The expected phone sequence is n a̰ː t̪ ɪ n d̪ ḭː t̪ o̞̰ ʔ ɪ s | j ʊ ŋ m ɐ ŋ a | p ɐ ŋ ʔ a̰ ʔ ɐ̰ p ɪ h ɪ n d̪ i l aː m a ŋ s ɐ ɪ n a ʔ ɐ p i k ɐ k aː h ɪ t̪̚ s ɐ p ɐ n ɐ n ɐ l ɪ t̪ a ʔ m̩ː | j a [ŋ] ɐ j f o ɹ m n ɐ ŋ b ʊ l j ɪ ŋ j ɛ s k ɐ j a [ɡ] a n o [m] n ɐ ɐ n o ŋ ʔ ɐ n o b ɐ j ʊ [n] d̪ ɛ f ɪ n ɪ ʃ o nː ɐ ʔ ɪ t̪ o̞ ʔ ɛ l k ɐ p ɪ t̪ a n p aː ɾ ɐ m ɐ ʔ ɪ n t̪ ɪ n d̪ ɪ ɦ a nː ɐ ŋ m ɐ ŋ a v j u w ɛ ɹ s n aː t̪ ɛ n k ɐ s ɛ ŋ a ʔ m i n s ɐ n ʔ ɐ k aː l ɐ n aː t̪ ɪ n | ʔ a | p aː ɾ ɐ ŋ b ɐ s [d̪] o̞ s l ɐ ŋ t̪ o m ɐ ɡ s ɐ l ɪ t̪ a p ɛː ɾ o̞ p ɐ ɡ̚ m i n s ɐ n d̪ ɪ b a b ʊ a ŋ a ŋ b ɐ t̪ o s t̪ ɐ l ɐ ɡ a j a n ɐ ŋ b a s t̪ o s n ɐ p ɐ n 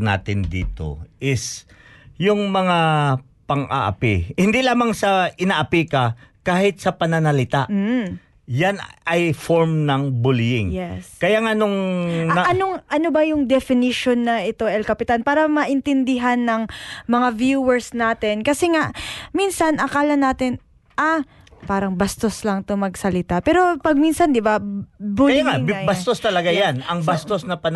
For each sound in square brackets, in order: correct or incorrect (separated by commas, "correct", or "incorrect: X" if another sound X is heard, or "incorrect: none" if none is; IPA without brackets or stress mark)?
incorrect: n, incorrect: ŋ, incorrect: ŋ, incorrect: ŋ, incorrect: t̪